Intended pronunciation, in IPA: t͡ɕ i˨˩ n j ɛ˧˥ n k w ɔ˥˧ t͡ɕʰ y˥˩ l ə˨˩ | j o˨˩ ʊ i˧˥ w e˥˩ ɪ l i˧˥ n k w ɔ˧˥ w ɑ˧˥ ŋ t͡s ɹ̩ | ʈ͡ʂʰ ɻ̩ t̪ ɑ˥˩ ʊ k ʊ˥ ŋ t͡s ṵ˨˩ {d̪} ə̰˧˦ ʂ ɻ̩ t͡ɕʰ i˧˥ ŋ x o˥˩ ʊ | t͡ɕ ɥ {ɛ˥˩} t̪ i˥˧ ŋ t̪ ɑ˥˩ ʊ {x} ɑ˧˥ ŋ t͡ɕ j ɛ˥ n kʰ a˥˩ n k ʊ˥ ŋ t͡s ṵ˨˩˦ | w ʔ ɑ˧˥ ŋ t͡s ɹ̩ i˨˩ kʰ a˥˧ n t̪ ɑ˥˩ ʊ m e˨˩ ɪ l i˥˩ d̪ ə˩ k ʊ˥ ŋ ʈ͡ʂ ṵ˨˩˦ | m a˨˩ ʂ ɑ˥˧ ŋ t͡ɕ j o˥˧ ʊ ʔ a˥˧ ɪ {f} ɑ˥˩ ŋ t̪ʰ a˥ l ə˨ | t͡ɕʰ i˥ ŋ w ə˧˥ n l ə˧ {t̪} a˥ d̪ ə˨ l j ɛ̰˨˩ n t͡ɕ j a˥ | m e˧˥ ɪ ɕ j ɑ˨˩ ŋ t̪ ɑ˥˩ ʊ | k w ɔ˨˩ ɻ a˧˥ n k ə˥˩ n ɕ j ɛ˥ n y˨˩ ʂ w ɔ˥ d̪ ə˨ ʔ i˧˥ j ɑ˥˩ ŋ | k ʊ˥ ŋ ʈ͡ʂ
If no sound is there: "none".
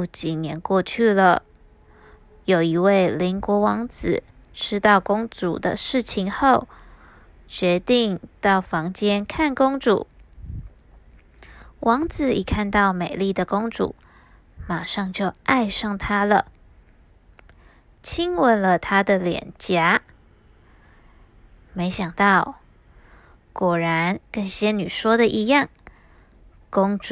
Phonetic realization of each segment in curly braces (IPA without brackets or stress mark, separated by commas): d̪, ɛ˧˥, f, ʂ, t̪ʰ